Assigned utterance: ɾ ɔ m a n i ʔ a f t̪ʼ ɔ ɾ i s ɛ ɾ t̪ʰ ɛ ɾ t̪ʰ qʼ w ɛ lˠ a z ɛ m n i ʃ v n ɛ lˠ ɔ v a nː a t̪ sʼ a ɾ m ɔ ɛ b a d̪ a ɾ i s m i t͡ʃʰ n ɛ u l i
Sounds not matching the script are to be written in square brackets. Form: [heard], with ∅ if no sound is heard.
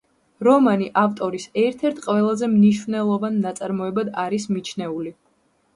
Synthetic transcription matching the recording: ɾ ɔ m a n i ʔ a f t̪ʼ ɔ ɾ i s ɛ ɾ t̪ʰ ɛ ɾ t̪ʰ qʼ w ɛ lˠ a z ɛ m n i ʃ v n ɛ lˠ ɔ v a nː a t̪ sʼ a ɾ m ɔ ɛ b a d̪ a ɾ i s m i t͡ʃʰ n ɛ u l i